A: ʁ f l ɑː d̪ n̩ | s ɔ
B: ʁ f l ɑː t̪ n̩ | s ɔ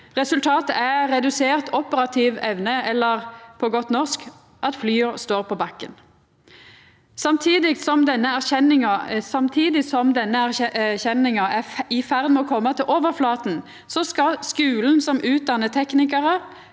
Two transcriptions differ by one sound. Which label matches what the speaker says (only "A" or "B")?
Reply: B